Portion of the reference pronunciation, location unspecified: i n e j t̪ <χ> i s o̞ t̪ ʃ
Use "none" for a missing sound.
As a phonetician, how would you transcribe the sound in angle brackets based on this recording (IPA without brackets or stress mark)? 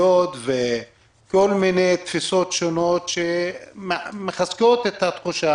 f